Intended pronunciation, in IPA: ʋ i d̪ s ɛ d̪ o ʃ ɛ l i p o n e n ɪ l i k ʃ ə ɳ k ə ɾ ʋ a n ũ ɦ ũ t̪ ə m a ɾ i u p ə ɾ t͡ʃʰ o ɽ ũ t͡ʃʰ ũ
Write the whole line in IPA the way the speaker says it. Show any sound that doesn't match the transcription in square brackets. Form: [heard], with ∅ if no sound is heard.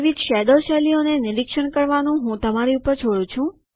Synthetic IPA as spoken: ʋ i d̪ [ʃ] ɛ d̪ o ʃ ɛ l i [∅] o n e n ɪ [ɾ] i k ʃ ə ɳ k ə ɾ ʋ a n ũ ɦ ũ t̪ ə m a ɾ i u p ə ɾ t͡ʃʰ o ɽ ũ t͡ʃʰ ũ